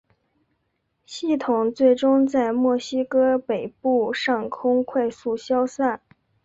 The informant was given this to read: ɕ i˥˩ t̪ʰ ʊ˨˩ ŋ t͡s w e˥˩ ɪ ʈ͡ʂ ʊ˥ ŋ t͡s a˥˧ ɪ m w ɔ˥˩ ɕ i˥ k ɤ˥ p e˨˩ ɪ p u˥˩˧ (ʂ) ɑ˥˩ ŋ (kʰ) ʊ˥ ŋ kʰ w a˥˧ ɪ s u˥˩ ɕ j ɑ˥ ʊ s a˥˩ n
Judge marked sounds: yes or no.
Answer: yes, yes

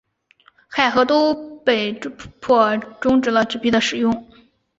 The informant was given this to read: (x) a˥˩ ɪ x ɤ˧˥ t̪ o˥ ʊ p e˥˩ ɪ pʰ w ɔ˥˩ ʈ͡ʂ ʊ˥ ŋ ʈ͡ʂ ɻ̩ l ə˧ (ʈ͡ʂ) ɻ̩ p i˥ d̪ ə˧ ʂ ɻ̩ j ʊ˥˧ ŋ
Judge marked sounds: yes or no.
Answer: yes, yes

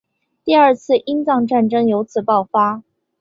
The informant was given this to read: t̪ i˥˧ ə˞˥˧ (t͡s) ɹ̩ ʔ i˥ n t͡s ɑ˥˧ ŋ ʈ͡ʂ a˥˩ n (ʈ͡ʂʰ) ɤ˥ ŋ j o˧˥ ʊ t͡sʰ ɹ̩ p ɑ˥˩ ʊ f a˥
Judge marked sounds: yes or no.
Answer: no, no

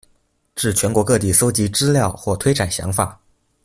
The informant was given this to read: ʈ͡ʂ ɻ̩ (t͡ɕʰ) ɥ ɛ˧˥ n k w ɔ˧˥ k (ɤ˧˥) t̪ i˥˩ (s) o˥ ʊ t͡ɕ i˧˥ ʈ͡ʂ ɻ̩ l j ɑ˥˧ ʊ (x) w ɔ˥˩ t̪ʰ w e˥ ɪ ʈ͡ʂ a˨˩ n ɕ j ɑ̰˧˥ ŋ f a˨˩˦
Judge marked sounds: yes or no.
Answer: yes, no, yes, yes

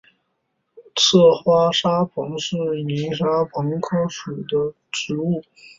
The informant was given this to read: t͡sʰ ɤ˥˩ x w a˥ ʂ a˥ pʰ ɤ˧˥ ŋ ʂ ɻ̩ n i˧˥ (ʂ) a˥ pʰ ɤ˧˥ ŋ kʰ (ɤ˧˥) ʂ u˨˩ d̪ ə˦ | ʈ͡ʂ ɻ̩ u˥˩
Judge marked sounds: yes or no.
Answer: yes, no

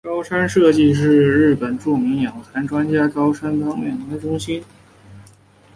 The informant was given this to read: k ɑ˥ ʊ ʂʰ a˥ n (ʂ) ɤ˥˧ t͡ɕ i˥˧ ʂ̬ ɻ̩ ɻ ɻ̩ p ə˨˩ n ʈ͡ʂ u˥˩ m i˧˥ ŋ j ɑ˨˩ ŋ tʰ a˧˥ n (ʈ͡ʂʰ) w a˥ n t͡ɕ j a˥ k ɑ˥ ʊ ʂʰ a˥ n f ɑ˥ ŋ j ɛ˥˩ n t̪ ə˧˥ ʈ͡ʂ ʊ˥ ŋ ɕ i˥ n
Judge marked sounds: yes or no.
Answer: yes, no

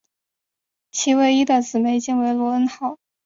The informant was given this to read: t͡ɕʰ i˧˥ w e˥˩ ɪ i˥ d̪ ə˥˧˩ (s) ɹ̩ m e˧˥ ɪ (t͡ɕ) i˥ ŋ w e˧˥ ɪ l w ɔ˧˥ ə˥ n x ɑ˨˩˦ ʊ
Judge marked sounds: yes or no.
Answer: no, yes

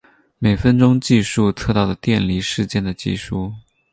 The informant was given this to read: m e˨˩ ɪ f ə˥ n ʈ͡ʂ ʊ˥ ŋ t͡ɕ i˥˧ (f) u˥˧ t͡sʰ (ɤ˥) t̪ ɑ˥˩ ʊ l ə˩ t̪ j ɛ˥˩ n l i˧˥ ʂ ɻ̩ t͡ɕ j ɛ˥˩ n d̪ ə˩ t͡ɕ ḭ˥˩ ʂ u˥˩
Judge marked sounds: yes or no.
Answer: no, no

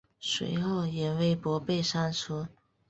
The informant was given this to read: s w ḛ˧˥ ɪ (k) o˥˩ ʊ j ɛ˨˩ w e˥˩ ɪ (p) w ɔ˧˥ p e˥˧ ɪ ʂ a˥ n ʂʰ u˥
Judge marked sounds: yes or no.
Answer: no, yes

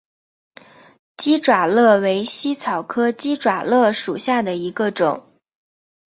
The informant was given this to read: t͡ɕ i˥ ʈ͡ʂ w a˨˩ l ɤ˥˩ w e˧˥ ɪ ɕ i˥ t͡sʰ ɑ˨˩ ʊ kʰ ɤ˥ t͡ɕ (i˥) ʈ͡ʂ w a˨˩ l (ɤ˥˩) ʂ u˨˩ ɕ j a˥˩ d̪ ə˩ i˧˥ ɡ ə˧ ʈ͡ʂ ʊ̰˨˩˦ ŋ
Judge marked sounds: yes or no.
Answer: yes, yes

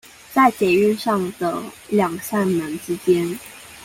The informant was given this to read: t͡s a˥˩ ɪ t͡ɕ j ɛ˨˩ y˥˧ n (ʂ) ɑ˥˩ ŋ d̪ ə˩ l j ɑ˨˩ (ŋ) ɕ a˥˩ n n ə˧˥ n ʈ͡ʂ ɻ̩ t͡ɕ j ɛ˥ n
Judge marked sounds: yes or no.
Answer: yes, yes

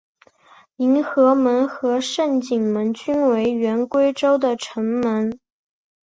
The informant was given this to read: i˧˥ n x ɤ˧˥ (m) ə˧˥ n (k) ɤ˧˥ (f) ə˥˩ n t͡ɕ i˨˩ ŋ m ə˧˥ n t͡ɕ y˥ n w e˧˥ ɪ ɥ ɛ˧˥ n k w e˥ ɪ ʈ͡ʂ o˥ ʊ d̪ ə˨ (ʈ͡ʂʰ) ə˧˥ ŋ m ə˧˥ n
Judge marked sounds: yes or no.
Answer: yes, no, no, yes

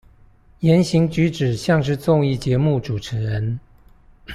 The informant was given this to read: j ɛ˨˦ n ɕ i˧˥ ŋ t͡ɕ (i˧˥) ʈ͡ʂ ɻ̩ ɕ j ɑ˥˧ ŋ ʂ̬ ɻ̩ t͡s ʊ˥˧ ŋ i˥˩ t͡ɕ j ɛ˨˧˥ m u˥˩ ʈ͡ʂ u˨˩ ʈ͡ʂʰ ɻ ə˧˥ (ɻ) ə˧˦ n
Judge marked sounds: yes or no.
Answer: no, yes

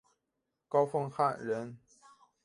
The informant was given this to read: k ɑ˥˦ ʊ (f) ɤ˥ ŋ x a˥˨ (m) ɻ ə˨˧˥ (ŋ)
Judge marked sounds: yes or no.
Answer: yes, no, no

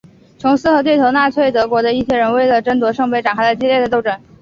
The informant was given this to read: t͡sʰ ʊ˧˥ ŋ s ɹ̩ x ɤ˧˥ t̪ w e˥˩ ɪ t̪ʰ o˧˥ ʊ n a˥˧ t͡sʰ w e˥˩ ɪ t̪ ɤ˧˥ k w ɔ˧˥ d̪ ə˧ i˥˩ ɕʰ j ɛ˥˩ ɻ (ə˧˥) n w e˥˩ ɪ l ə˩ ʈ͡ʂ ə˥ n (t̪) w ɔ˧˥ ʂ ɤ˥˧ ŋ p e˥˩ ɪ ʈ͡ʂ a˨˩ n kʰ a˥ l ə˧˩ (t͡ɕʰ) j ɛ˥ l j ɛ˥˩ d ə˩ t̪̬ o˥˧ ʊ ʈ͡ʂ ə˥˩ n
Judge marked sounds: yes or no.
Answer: yes, yes, no

